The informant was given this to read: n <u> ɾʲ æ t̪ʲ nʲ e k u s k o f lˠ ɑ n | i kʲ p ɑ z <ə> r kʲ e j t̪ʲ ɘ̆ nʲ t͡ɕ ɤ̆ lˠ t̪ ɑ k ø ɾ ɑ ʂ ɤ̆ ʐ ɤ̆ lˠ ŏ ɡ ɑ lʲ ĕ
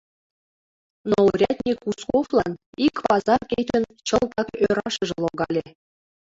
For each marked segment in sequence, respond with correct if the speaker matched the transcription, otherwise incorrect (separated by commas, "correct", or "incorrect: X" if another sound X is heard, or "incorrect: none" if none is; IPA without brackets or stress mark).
incorrect: o, incorrect: ɑ